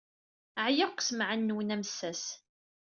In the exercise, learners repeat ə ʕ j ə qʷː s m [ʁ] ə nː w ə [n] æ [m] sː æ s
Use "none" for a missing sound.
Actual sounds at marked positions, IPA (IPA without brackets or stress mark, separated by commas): ʕ, n, m